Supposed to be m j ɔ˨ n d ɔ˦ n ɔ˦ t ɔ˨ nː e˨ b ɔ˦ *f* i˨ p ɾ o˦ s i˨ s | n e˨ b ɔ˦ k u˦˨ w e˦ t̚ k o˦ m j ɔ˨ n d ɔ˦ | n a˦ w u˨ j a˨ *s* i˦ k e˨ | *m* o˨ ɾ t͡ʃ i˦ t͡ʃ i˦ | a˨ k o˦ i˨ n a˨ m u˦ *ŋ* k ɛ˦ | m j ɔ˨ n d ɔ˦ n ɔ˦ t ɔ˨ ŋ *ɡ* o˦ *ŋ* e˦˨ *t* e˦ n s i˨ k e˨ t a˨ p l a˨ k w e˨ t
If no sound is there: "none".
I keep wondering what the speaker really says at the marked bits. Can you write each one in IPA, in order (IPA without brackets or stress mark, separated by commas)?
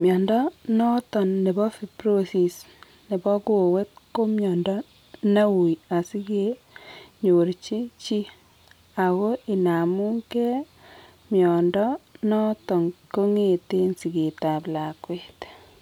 f, s, ɲ, ŋ, k, ŋ, t